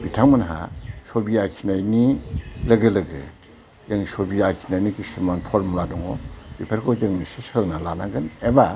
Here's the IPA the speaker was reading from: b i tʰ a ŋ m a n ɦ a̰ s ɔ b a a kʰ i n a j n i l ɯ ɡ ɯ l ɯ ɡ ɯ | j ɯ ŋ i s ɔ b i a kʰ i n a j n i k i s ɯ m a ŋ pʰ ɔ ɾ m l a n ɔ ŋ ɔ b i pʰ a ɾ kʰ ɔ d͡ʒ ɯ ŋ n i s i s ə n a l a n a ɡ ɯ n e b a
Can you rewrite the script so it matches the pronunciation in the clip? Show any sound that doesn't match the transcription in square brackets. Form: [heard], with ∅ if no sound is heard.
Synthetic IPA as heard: b i tʰ a ŋ m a n ɦ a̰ s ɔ b [i] a kʰ i n a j n i l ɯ ɡ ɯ l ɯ ɡ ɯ | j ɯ ŋ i s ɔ b i a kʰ i n a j n i k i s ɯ m a [n] pʰ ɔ ɾ m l a [d] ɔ ŋ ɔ b i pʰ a ɾ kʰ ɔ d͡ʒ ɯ ŋ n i s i s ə n a l a n a ɡ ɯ n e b a